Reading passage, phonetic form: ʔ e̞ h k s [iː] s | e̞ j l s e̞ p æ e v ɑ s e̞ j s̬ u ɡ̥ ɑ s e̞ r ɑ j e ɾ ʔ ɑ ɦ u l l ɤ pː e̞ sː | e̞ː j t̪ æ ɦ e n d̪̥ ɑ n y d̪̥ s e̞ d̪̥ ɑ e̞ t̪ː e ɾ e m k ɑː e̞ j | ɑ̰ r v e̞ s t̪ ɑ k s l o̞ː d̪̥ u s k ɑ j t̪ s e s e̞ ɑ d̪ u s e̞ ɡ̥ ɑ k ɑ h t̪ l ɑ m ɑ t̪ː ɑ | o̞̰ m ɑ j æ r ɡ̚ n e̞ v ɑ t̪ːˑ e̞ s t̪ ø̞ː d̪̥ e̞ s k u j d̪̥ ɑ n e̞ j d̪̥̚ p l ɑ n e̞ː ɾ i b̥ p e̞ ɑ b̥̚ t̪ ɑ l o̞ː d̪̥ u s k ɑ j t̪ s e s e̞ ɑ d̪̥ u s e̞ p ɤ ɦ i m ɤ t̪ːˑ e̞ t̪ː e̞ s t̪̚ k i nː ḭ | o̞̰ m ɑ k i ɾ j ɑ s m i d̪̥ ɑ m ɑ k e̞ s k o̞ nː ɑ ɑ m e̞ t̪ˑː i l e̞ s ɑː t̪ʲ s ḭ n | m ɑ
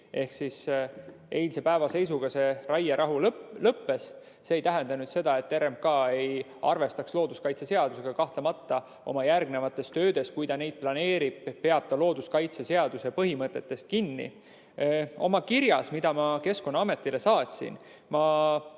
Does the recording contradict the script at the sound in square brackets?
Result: yes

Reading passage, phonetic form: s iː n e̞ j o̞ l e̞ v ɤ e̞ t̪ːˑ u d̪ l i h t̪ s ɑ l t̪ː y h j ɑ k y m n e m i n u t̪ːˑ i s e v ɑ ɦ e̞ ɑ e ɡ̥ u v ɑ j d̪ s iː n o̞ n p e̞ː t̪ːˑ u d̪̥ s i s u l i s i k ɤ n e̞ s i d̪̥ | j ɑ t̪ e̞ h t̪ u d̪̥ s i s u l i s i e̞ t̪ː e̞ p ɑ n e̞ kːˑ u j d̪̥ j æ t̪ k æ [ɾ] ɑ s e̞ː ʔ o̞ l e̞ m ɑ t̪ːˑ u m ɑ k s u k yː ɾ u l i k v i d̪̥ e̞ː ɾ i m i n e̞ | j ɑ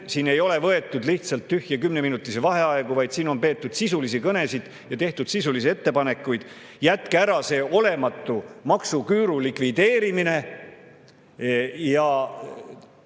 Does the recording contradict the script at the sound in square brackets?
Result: no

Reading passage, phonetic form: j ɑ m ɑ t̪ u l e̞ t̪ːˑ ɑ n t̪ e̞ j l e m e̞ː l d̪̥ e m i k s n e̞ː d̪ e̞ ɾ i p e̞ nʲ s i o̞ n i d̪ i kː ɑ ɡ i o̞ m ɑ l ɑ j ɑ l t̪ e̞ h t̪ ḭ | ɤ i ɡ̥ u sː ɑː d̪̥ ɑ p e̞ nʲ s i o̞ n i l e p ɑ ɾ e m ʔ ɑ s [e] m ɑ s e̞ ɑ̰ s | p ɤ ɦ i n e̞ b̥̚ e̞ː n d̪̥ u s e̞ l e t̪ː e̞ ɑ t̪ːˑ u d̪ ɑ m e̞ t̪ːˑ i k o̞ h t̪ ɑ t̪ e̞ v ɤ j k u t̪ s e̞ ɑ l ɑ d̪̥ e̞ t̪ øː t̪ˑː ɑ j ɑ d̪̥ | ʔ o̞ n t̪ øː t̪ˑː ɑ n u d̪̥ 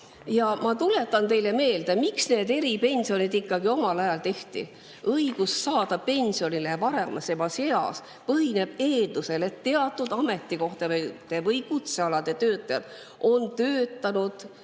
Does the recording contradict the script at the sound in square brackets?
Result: no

